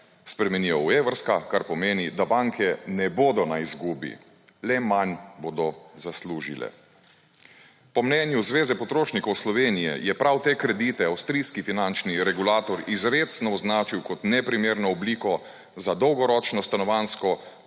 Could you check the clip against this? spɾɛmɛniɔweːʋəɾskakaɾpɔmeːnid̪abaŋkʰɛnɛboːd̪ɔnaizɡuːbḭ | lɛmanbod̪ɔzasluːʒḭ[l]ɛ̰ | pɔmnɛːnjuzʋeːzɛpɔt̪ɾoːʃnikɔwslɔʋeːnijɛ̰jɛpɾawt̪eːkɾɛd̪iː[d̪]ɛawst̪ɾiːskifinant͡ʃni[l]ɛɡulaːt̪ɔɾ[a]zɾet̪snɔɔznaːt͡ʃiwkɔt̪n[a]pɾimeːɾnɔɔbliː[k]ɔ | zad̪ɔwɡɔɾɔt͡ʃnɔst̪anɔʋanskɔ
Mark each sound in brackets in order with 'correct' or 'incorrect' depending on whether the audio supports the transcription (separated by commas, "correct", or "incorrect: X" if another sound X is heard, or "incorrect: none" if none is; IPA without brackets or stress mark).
correct, incorrect: t̪, incorrect: ɾ, incorrect: i, incorrect: ɛ, correct